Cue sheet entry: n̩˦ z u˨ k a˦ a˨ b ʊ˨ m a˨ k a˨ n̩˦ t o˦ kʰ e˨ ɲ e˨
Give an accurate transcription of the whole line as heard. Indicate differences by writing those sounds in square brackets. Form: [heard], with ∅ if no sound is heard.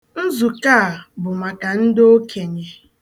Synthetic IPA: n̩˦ z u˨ k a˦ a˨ b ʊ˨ m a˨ k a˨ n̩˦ [d] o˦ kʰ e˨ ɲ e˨